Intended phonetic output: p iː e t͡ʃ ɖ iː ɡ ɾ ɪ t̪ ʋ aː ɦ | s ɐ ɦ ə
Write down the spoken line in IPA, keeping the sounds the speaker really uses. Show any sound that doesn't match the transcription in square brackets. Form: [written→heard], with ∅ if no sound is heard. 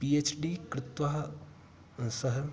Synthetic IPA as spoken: p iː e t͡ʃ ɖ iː [ɡ→k] ɾ ɪ t̪ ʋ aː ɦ | s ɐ ɦ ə